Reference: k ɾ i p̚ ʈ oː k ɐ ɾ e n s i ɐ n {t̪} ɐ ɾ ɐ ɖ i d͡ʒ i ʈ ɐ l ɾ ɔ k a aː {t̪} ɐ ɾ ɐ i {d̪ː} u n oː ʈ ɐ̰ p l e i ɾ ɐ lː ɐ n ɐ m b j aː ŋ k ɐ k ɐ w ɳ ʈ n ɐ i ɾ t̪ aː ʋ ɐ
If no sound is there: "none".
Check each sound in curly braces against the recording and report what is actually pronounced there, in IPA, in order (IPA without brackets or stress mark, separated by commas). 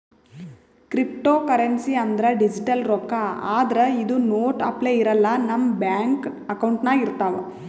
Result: d̪, d̪, d̪